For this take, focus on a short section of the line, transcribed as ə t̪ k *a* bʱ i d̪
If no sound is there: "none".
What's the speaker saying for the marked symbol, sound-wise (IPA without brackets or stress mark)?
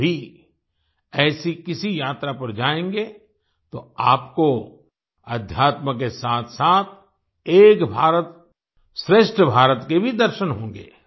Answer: e